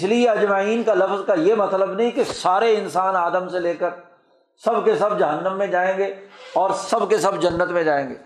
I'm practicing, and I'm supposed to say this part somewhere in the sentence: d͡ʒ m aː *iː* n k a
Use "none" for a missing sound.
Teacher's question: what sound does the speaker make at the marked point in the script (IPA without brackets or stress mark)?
iː